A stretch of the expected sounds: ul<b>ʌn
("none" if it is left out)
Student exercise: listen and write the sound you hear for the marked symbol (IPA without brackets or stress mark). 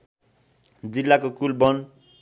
b